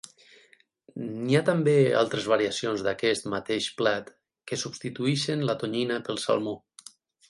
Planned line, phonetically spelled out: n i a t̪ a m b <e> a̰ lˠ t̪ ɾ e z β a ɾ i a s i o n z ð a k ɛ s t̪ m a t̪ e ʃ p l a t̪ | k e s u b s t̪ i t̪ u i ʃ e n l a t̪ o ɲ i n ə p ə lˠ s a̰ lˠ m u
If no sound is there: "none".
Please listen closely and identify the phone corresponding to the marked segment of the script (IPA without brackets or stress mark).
e